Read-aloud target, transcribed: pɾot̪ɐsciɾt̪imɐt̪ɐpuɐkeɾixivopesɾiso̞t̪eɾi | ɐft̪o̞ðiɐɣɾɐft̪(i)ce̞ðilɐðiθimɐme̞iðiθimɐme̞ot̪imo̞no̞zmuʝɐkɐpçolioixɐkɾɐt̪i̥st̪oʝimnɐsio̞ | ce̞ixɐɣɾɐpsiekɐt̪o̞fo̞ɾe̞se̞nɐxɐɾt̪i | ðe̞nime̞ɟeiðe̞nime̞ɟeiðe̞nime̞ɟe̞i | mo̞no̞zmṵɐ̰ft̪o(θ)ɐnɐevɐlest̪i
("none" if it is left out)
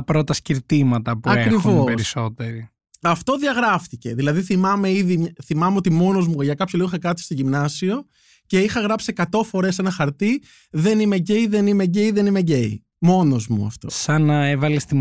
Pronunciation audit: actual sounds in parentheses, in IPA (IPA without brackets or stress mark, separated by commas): i, s